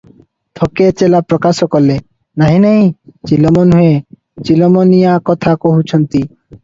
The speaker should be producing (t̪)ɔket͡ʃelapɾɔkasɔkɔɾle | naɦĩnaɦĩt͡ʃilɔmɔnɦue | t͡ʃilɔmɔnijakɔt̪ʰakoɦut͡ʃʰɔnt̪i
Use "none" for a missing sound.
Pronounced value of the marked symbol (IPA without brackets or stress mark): t̪ʰ